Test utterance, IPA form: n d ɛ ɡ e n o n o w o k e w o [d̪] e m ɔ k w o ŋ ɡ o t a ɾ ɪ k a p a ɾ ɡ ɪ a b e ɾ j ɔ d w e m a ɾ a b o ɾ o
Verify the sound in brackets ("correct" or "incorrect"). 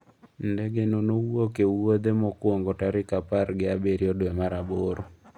correct